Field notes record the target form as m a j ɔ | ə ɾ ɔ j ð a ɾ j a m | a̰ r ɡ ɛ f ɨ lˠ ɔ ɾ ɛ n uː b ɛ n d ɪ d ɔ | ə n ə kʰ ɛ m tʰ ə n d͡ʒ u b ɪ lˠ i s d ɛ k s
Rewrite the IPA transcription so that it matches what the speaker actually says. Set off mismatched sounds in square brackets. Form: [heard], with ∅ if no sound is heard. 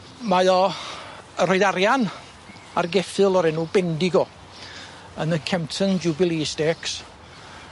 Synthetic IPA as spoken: m a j ɔ | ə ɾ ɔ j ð a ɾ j a [n] | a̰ r ɡ ɛ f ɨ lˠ ɔ ɾ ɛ n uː b ɛ n d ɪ [ɡ] ɔ | ə n ə kʰ ɛ m tʰ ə n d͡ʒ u b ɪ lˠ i s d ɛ k s